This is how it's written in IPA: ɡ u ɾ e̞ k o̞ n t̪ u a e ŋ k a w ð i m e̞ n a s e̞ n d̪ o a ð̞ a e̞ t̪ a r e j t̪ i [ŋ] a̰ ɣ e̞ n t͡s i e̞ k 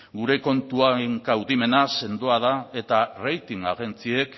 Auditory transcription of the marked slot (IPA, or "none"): ŋ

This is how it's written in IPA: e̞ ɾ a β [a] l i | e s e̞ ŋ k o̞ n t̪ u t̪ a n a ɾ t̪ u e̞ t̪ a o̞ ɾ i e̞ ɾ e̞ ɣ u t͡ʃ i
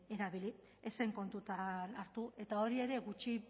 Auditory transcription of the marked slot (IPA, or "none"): i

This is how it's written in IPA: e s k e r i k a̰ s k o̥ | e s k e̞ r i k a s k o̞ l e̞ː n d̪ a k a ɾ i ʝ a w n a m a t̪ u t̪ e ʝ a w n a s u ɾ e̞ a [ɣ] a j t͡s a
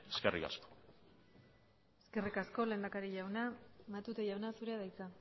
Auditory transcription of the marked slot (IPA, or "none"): ð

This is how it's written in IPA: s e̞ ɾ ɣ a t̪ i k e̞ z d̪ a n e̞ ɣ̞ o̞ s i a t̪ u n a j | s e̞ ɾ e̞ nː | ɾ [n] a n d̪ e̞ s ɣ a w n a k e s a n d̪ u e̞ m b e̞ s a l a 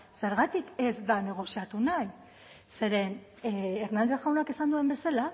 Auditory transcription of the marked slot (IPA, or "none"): n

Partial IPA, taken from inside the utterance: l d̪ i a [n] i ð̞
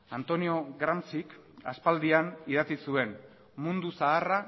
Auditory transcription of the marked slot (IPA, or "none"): n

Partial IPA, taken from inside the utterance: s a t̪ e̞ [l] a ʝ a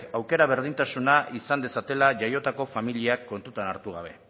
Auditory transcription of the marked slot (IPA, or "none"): l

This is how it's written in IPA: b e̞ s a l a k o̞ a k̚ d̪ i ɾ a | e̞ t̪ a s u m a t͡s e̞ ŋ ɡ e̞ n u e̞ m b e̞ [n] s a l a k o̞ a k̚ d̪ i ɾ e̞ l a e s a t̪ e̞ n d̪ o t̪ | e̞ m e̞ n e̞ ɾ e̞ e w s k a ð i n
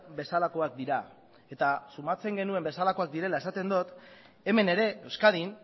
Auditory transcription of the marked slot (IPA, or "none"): none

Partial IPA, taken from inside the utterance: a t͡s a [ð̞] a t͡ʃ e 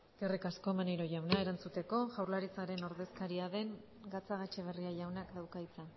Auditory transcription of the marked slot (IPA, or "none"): ɣ̞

